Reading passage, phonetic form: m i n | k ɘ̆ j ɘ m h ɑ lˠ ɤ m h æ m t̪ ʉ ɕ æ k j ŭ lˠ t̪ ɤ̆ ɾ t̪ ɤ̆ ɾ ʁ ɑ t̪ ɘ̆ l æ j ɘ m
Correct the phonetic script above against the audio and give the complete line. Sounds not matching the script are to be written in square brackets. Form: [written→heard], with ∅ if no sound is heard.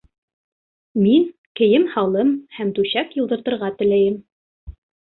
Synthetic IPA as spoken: m i n | k ɘ̆ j ɘ m h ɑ lˠ ɤ m h æ m t̪ ʉ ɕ æ k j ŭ lˠ [t̪→d̪] ɤ̆ ɾ t̪ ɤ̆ ɾ ʁ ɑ t̪ ɘ̆ l æ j ɘ m